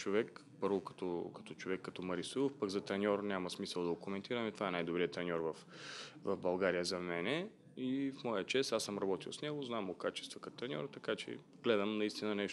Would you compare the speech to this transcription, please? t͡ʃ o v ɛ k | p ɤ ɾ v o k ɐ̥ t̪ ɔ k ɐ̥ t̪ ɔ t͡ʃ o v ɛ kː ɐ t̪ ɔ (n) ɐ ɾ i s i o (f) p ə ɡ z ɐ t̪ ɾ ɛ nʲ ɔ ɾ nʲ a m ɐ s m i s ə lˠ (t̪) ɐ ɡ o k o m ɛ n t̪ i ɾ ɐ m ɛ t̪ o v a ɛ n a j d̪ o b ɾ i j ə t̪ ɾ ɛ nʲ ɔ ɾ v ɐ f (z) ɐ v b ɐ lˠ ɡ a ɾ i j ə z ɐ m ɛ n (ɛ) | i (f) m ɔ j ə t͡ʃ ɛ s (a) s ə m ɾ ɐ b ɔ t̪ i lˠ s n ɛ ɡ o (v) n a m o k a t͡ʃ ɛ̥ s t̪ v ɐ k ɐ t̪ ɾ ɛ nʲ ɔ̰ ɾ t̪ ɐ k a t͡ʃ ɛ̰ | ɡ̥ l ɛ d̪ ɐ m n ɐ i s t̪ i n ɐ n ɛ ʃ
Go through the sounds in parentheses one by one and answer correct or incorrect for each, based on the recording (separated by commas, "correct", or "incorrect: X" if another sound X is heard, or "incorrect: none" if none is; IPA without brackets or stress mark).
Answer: incorrect: m, correct, incorrect: d̪, incorrect: v, correct, correct, correct, incorrect: z